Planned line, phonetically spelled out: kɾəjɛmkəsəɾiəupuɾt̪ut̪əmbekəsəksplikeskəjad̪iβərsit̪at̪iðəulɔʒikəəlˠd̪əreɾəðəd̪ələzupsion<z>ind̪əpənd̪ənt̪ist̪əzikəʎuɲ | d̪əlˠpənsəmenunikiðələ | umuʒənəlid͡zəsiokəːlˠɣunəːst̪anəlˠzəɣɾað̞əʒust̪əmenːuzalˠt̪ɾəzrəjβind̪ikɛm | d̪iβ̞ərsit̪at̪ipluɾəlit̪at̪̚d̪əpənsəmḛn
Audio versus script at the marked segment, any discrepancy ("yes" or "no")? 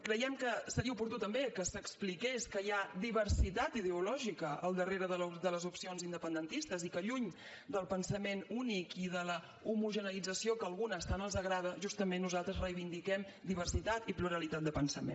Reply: no